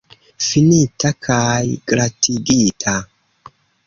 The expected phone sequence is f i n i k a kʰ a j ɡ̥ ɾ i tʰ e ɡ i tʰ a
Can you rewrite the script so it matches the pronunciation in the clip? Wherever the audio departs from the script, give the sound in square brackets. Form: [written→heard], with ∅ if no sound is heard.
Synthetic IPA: f i n i [k→t] a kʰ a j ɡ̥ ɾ [i→a] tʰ [e→i] ɡ i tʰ a